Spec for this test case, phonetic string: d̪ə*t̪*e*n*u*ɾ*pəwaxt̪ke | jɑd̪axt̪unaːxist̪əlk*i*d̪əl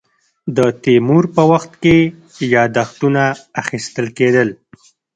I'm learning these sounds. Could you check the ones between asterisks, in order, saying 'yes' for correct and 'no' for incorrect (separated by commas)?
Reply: yes, no, yes, no